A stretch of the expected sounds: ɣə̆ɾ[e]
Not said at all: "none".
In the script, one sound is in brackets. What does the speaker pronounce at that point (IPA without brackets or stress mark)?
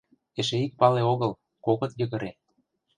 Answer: e